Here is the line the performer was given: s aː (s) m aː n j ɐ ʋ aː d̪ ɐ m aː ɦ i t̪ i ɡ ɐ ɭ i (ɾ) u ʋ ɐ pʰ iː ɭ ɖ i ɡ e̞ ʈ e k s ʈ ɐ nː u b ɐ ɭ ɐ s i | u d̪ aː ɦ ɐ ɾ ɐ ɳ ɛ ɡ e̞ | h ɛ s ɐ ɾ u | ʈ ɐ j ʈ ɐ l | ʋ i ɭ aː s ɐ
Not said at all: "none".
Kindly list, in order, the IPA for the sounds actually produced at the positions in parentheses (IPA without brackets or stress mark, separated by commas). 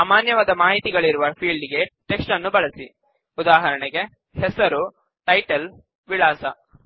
none, ɾ